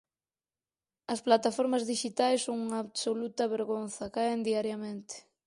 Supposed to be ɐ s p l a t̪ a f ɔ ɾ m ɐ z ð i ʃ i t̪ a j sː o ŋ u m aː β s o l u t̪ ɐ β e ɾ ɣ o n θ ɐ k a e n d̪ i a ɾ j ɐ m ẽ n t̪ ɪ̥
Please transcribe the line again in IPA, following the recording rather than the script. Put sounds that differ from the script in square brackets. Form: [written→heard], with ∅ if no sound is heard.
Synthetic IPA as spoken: ɐ s p l a t̪ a f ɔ ɾ m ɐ z ð i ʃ i t̪ a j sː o ŋ u [m→ŋ] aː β s o l u t̪ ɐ β e ɾ ɣ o n θ ɐ k a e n d̪ i a ɾ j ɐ m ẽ n t̪ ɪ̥